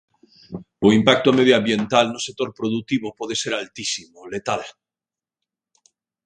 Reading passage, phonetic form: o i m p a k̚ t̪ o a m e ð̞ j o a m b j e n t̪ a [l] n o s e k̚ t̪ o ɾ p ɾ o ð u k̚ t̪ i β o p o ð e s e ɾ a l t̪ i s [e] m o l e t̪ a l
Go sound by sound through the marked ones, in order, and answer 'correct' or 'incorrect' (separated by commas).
correct, incorrect